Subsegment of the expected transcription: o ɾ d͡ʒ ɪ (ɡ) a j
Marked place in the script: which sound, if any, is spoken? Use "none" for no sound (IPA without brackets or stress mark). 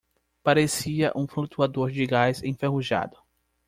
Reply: ɡ